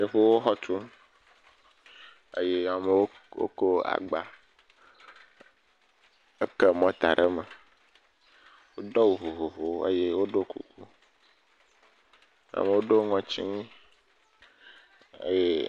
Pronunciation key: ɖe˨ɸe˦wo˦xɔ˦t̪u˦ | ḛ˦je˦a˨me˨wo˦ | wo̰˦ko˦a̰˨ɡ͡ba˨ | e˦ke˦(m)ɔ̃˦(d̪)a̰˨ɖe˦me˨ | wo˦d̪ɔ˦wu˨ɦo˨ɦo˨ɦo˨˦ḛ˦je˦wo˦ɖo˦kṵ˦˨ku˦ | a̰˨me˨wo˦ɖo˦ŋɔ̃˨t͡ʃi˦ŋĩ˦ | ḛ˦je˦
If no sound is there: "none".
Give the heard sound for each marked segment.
m, t̪

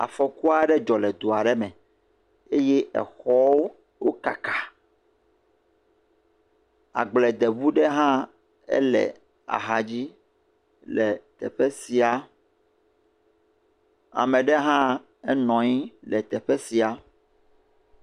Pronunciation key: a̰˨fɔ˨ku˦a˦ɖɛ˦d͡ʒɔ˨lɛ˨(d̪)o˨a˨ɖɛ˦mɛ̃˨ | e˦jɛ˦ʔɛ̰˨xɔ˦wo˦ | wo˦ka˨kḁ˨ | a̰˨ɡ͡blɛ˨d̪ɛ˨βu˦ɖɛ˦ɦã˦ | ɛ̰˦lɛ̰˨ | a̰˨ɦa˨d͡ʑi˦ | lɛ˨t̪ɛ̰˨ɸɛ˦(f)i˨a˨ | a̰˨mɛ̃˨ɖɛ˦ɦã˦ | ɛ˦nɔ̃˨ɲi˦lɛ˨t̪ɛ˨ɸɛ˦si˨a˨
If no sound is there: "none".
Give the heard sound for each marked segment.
d̪, s

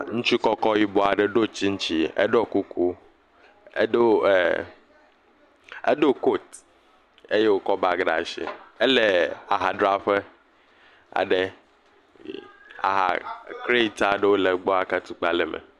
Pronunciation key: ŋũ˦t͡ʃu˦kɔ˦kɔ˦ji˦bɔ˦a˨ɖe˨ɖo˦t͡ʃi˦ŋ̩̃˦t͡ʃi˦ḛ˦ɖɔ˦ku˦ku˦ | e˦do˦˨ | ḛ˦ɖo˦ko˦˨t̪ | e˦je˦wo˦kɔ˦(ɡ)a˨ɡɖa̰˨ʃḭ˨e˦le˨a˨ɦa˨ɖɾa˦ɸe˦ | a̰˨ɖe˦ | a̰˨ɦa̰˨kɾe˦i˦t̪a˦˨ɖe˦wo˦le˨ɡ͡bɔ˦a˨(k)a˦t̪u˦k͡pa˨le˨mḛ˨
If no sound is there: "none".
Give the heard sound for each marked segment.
b, k

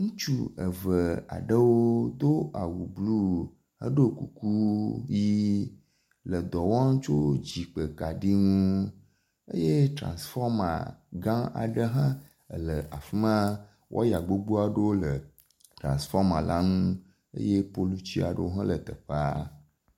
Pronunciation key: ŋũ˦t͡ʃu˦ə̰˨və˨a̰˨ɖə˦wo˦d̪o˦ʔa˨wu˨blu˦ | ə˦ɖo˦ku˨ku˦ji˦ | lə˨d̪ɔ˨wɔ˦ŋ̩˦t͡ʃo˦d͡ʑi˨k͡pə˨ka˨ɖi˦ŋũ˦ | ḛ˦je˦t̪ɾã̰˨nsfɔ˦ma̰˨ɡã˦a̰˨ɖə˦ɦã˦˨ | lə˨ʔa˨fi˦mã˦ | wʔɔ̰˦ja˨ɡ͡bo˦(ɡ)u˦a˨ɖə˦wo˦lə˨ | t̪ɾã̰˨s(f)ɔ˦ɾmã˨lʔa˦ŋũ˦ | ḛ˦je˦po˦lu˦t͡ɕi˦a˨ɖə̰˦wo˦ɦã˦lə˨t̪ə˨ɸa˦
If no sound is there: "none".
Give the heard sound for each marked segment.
ɡ͡b, f

